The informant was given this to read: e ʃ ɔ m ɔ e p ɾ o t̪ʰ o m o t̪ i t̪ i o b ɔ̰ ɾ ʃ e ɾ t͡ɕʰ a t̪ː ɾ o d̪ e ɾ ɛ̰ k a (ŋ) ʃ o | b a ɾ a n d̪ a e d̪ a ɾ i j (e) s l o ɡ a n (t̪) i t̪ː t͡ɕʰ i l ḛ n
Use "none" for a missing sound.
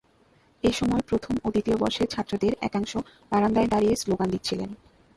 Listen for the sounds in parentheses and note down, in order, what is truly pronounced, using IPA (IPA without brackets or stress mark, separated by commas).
ŋ, e, d̪